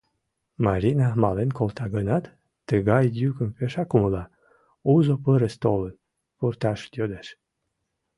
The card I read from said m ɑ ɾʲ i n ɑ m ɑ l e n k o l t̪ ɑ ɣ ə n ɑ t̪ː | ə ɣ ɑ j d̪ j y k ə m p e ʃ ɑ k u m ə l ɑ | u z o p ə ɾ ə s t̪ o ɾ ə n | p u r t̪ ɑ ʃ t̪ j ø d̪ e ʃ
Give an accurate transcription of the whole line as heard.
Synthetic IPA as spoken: m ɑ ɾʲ i n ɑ m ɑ l e n k o l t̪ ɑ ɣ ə n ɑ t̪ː | ə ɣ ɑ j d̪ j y k ə m p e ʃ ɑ k u m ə l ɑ | u z o p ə ɾ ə s t̪ o l ə n | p u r t̪ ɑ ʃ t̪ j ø d̪ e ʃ